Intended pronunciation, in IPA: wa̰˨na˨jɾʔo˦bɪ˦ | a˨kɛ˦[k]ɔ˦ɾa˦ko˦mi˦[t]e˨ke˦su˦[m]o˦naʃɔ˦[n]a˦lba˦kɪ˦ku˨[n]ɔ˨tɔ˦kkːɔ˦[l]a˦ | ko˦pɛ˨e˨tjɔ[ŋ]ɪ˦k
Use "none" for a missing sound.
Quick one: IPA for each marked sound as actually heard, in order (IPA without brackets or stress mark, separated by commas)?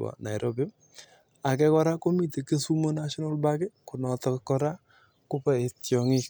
k, t, m, n, n, ɾ, ŋ